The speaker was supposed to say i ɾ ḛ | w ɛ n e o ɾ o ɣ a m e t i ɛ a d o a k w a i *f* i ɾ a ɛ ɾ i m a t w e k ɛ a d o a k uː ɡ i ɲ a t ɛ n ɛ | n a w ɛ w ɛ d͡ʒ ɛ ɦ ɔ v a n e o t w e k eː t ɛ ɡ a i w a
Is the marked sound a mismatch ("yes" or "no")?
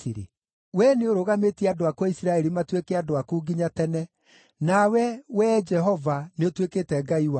yes